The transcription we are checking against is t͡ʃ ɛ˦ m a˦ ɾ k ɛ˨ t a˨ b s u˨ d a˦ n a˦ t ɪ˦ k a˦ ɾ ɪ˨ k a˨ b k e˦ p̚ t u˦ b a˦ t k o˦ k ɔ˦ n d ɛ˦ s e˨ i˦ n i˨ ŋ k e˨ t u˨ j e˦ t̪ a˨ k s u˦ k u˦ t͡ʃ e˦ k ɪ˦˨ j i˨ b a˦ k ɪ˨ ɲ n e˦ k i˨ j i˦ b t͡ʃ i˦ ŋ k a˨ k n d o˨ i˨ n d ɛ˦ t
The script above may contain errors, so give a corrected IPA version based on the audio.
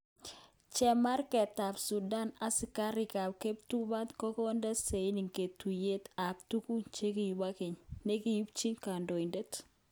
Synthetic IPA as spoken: t͡ʃ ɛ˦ m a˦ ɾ k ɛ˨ t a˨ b s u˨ d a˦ n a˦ s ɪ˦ k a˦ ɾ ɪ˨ k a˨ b k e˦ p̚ t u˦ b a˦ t k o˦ k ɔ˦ n d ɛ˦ s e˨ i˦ n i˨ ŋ k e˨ t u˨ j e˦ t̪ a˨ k t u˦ k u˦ t͡ʃ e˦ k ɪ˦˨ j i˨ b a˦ k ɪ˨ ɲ n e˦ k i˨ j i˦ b t͡ʃ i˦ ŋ k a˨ n d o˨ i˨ n d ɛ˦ t